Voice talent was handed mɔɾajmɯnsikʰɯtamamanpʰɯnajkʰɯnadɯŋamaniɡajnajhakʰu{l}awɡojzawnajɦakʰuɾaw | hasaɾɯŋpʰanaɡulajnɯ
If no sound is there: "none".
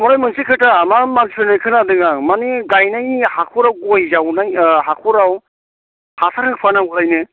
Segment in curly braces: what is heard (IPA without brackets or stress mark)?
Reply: ɾ